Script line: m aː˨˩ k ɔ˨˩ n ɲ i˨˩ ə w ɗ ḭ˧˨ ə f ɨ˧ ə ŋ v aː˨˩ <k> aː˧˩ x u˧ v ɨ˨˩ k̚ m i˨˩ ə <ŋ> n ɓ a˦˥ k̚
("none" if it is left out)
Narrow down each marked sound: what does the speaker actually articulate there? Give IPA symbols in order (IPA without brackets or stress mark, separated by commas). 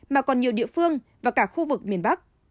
k, none